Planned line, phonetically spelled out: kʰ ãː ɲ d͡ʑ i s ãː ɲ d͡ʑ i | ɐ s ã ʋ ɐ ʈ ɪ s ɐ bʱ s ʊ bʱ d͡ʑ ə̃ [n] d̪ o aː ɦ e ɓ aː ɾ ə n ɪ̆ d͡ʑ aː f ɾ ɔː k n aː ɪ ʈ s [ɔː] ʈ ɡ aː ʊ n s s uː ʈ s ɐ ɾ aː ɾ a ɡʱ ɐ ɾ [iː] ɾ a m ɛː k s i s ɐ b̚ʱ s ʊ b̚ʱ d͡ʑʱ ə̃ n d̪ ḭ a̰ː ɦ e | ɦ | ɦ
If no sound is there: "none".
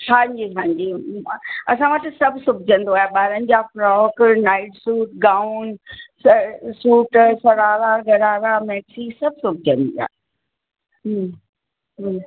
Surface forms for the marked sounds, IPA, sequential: n, uː, aː

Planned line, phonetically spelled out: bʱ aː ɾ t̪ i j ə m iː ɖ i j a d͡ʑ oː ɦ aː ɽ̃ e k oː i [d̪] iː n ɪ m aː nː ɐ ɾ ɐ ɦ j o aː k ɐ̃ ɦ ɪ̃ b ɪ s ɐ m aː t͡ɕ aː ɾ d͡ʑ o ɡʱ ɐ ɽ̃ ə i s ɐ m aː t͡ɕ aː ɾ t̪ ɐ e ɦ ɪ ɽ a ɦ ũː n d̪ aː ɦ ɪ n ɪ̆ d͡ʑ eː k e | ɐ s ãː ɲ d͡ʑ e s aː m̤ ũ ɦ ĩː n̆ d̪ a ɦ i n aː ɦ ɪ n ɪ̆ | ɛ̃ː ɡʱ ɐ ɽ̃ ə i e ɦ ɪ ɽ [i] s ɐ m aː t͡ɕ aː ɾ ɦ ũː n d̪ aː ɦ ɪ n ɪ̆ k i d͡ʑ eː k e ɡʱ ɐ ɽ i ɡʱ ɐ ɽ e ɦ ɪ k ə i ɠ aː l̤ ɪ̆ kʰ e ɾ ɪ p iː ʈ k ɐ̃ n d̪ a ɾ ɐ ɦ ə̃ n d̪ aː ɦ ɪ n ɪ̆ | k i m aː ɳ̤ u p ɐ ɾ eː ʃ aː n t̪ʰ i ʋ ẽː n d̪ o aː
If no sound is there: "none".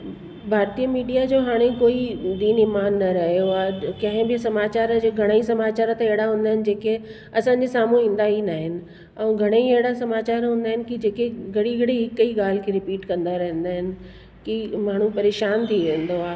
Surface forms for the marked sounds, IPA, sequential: d̪, a

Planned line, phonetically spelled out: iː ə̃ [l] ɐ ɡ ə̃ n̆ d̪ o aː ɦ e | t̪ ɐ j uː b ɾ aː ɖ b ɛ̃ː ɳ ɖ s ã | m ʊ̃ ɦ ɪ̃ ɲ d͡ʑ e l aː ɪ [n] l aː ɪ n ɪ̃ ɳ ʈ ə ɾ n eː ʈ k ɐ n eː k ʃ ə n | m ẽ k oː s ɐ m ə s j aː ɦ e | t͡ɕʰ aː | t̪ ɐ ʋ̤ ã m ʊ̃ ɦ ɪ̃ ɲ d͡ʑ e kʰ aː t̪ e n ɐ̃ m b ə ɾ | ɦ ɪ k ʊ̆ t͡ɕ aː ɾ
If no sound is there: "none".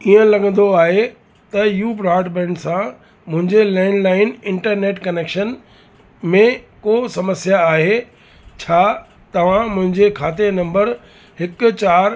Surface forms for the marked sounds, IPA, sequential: l, n

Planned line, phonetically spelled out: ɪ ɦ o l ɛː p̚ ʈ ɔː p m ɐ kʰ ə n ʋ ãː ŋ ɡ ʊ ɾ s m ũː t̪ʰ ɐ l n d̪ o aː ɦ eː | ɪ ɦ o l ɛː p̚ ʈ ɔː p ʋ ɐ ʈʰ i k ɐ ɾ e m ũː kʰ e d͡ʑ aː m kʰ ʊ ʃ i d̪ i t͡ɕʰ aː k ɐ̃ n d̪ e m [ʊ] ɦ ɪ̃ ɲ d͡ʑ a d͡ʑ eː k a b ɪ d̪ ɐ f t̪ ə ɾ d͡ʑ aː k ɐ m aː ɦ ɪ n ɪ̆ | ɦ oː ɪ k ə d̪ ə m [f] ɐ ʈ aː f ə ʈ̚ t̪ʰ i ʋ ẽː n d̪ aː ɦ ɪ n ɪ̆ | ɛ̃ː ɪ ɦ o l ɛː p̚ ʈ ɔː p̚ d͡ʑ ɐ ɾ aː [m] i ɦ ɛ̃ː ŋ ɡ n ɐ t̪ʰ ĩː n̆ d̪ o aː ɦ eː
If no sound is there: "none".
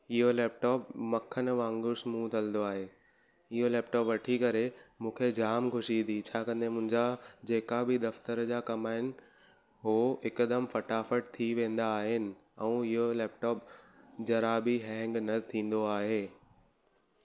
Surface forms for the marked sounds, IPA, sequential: ʊ̃, f, b

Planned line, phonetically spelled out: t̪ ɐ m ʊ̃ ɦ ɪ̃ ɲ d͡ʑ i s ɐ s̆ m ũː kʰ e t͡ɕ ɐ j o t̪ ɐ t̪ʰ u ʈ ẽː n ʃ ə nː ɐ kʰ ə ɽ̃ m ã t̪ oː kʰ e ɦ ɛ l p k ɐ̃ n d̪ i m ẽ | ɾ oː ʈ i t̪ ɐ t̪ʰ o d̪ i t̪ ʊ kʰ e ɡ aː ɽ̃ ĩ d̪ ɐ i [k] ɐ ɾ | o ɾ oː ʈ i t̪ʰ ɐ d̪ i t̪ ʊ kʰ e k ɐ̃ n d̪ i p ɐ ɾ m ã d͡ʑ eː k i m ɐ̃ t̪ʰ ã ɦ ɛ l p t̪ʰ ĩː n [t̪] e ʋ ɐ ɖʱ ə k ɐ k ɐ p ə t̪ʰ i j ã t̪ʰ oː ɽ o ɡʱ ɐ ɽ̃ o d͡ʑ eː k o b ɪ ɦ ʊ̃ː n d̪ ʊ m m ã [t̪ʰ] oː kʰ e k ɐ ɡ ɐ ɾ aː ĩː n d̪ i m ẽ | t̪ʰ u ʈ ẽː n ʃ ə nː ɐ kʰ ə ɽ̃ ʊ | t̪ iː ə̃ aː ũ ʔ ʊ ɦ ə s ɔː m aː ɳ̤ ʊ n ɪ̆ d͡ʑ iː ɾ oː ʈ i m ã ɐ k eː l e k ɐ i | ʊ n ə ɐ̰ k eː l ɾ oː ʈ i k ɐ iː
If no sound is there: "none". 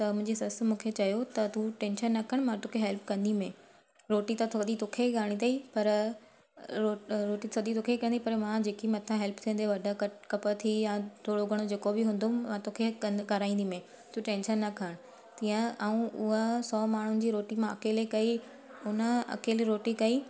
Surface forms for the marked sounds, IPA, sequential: p, d̪, t̪

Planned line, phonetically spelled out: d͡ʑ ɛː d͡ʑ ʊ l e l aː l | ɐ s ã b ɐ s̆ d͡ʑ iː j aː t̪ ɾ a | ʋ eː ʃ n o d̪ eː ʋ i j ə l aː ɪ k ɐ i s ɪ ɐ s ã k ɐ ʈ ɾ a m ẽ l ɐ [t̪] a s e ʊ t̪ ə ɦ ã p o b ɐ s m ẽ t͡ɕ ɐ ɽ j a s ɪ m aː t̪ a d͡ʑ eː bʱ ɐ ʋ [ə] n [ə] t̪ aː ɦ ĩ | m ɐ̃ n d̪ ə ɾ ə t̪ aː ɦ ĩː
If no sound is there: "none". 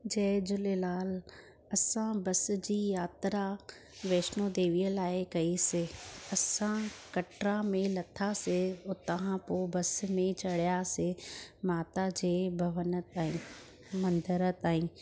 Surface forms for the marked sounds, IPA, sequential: t̪ʰ, ə, ə

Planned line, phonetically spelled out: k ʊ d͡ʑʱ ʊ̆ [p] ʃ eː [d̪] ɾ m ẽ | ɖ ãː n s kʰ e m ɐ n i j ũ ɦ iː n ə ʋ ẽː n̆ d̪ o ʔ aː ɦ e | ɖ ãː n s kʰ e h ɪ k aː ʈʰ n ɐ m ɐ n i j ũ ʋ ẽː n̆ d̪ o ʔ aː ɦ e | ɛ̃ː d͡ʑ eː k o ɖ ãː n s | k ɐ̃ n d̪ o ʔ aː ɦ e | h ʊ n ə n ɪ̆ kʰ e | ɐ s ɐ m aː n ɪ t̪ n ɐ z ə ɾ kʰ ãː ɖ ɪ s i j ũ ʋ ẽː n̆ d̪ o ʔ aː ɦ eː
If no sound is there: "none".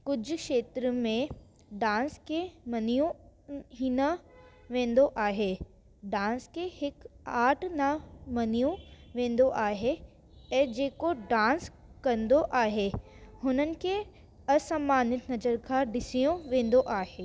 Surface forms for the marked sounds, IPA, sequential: k, t̪

